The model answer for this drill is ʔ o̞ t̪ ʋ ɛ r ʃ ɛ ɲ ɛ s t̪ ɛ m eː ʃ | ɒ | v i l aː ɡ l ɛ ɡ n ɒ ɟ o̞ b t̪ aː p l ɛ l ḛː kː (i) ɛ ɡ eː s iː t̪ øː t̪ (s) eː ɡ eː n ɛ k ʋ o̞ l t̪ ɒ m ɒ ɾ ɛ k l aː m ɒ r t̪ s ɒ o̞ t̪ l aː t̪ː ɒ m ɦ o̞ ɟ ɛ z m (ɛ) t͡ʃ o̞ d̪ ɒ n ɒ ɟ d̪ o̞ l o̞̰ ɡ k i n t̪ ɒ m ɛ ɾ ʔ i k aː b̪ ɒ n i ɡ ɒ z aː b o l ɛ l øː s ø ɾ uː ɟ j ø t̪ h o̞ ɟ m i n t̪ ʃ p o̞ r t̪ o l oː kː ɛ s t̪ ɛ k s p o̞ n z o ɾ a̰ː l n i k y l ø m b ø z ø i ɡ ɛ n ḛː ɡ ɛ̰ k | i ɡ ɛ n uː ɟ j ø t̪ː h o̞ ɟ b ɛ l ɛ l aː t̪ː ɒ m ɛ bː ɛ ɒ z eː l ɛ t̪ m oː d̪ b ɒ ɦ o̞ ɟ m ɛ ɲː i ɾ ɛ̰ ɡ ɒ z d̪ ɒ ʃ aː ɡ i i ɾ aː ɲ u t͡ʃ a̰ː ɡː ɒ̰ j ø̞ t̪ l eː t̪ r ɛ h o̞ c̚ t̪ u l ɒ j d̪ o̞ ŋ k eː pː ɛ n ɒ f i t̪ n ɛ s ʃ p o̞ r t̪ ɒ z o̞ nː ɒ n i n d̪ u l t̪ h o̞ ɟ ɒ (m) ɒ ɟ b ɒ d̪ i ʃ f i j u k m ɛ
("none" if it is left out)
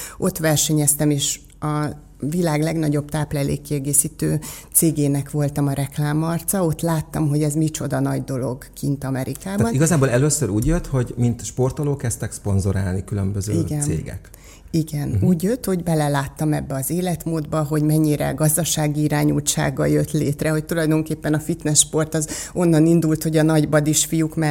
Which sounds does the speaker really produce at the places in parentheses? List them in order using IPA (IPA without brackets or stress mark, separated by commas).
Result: i, s, i, n